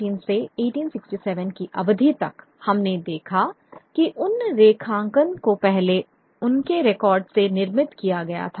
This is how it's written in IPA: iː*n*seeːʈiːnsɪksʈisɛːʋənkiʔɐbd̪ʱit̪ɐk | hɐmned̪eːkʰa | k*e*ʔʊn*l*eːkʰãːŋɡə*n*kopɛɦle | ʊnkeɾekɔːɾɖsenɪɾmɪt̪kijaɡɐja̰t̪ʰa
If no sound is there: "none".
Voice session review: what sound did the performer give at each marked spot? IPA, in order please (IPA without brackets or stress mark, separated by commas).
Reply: n, i, ɾ, n